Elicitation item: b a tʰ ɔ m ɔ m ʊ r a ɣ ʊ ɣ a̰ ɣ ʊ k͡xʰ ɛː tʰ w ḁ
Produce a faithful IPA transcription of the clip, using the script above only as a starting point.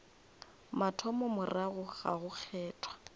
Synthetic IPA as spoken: m a tʰ ɔ m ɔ m ʊ r a ɣ ʊ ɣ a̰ ɣ ʊ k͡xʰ ɛː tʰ w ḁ